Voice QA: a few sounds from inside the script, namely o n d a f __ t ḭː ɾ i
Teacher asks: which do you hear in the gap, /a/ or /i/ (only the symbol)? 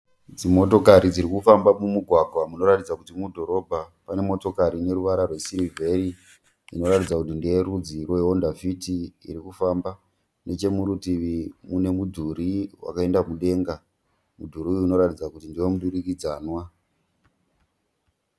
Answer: i